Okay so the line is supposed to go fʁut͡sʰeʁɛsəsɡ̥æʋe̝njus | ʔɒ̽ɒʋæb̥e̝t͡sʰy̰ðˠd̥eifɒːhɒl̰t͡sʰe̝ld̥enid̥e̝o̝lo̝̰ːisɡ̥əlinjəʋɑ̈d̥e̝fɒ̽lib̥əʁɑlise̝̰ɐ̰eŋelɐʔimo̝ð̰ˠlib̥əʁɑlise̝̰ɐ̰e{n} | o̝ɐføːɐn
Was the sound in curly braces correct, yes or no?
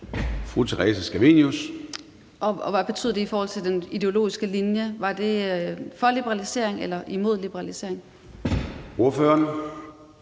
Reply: no